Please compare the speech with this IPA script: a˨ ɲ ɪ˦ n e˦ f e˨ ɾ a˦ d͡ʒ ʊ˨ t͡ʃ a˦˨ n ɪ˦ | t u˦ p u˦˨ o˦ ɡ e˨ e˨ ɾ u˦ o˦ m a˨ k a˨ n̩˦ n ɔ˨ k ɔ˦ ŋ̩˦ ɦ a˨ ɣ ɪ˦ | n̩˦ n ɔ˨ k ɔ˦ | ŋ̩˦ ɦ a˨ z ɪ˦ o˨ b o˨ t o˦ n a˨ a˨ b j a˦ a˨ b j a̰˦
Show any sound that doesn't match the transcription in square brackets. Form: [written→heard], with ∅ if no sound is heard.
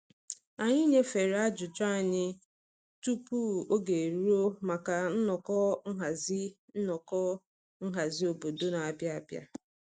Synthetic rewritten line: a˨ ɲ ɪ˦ [n→ɲ] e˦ f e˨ ɾ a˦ d͡ʒ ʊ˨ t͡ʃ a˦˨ [n→ɲ] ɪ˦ | t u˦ p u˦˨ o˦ ɡ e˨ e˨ ɾ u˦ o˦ m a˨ k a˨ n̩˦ n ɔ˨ k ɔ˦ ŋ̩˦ ɦ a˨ [ɣ→z] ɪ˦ | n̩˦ n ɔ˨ k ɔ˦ | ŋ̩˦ ɦ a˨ z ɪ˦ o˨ b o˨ [t→d] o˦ n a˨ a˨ b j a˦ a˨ b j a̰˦